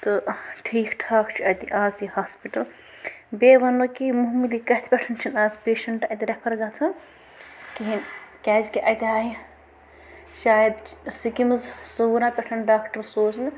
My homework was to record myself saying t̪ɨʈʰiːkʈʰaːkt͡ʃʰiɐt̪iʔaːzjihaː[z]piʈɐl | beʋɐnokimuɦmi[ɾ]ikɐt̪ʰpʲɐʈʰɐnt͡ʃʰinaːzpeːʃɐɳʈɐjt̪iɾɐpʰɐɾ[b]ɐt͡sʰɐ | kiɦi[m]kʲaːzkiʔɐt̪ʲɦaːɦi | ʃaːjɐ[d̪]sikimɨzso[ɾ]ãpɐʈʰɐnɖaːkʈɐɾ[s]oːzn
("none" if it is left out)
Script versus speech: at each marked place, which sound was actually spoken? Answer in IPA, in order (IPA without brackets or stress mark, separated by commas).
s, l, ɡ, n, d̪, ɾ, s